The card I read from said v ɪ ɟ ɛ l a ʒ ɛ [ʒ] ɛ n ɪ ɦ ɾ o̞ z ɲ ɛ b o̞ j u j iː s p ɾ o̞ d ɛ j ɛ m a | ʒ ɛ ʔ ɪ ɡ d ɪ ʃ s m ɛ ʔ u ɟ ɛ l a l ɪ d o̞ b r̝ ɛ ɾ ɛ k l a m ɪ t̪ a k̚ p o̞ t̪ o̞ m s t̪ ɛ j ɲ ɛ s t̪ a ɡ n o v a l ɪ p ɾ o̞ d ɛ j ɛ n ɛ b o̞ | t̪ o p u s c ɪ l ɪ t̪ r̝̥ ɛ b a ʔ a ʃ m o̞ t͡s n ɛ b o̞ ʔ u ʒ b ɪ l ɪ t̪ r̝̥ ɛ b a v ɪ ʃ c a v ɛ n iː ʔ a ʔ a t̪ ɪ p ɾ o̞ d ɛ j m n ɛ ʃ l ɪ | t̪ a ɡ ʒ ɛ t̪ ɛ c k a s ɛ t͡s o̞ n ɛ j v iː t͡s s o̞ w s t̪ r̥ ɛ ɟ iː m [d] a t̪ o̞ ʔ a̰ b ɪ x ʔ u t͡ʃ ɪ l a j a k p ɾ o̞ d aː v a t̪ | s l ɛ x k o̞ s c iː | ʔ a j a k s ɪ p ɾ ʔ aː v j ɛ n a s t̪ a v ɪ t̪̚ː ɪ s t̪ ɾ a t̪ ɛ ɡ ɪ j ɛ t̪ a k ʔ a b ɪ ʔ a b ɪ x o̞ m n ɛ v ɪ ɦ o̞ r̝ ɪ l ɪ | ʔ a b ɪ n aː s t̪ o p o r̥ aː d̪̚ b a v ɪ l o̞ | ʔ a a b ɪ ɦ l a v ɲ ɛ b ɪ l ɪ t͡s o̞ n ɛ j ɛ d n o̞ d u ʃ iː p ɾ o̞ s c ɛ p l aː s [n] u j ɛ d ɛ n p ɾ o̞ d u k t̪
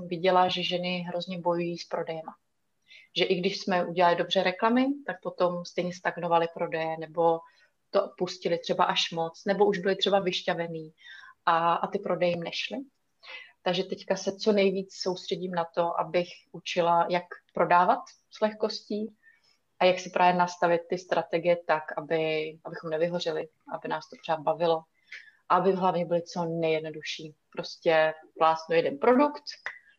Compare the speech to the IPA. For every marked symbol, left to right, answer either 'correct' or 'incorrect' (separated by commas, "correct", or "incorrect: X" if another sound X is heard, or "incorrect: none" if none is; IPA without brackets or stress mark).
correct, incorrect: n, correct